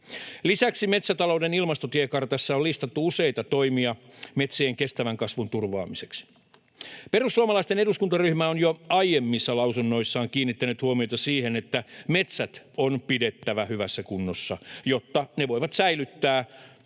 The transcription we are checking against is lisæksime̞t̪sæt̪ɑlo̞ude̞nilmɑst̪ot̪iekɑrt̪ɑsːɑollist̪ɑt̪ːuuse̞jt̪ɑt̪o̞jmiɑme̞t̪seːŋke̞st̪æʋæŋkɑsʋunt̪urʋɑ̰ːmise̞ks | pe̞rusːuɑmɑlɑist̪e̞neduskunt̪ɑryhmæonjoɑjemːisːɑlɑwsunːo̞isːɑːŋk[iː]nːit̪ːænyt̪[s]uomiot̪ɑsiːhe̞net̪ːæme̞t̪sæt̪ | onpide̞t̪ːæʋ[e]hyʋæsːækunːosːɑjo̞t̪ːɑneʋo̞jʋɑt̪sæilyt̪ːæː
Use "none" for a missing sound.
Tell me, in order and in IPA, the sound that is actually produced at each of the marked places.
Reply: iː, h, æ

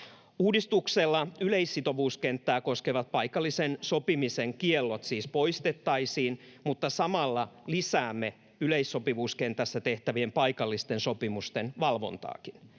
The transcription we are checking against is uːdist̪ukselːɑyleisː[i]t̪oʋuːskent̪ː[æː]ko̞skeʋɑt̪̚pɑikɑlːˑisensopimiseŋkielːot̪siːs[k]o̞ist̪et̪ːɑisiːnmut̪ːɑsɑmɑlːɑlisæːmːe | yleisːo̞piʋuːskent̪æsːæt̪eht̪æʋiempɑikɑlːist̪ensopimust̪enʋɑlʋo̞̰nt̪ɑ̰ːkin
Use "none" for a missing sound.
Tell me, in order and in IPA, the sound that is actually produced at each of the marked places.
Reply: i, æː, p

